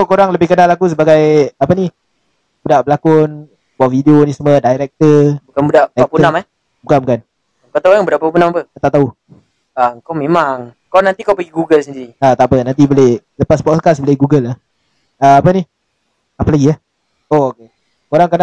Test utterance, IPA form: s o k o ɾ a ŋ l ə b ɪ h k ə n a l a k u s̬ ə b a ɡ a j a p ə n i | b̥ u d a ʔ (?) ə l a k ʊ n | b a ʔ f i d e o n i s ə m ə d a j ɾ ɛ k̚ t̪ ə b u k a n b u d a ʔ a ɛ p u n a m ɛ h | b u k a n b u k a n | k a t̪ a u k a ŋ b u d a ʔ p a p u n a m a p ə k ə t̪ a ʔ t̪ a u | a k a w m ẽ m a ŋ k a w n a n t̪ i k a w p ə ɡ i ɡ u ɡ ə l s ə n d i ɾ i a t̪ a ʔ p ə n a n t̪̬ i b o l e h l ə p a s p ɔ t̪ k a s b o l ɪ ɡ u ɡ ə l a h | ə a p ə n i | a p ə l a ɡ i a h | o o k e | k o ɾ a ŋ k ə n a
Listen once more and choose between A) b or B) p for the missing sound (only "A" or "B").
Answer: A